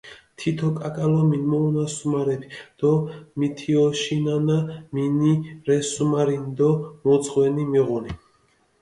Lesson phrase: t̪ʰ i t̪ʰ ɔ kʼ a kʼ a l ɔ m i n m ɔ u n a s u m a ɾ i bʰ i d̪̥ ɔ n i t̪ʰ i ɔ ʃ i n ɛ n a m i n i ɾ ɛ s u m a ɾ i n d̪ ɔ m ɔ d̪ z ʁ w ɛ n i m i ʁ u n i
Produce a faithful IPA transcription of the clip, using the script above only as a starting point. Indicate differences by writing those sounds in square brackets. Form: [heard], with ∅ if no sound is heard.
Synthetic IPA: t̪ʰ i t̪ʰ ɔ kʼ a kʼ a l ɔ m i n m ɔ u n a s u m a ɾ [ɛ] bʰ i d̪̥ ɔ [m] i t̪ʰ i ɔ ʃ i n [a] n a m i n i ɾ ɛ s u m a ɾ i n d̪ ɔ m ɔ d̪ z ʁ w ɛ n i m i ʁ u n i